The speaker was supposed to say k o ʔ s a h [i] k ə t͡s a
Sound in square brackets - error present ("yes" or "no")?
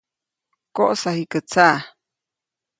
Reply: no